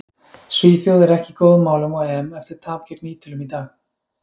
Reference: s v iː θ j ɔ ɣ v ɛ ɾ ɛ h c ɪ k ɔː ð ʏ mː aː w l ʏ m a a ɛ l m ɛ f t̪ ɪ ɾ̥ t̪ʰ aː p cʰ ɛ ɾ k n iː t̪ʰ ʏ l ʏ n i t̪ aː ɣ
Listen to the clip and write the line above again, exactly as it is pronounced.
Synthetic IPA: s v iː θ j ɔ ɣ ð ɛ ɾ ɛ h c ɪ k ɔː ð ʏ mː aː w l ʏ m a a ɛ m ɛ f t̪ ɪ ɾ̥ t̪ʰ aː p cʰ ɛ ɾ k n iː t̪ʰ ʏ l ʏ m i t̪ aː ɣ